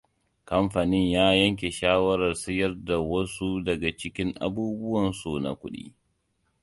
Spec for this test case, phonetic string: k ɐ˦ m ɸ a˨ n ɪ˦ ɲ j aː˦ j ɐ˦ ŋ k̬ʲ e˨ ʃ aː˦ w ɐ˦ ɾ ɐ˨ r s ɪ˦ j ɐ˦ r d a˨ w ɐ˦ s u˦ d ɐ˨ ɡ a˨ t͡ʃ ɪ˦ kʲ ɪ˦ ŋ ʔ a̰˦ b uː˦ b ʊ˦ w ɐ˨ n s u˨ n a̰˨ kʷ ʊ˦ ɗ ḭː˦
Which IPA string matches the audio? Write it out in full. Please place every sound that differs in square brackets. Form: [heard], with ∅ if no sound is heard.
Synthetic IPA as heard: k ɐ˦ m ɸ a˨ n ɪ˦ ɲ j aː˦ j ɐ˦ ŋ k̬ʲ e˨ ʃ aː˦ w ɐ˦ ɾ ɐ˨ r s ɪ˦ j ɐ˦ r d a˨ w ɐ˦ s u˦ d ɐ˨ ɡ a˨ t͡ʃ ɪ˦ kʲ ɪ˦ ŋ ʔ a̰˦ b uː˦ b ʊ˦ w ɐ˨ n s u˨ n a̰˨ kʷ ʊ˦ ɗ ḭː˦